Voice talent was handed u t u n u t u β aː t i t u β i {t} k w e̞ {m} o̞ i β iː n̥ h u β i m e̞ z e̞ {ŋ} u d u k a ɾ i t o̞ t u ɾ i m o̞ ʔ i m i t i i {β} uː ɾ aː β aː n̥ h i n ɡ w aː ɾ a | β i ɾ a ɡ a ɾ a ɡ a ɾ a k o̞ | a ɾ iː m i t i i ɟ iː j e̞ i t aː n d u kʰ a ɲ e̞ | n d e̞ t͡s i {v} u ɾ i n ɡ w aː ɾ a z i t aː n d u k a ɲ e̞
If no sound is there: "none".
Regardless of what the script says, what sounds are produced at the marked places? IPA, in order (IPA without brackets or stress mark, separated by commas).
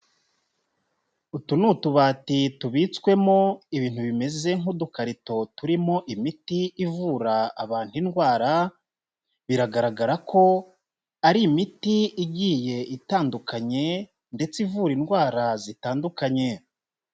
t͡s, m, ŋ, v, v